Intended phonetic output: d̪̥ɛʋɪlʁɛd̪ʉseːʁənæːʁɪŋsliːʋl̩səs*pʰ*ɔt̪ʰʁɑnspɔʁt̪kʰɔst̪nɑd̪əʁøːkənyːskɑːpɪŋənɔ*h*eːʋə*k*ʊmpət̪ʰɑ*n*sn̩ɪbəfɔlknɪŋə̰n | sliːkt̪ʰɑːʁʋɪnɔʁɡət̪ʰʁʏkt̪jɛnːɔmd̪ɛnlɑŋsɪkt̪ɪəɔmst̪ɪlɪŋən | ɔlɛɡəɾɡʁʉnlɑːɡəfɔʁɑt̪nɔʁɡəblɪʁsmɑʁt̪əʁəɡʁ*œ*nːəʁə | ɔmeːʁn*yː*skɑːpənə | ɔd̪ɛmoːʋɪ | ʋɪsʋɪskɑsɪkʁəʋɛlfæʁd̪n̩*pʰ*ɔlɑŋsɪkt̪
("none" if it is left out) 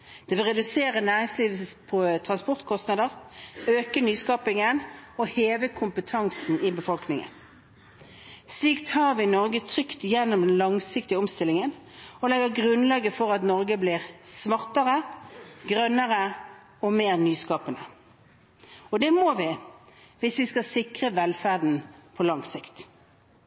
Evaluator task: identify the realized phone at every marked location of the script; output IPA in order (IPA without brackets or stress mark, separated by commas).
pʰ, h, kʰ, ŋ, œ, yː, pʰ